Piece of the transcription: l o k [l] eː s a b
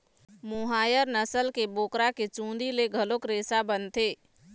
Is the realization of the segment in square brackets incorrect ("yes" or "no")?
yes